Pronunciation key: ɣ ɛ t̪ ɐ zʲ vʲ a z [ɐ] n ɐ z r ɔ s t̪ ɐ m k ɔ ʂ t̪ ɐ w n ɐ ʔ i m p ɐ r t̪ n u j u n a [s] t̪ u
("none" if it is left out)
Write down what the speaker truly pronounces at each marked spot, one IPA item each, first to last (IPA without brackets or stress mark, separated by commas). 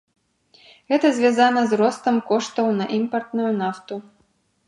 a, f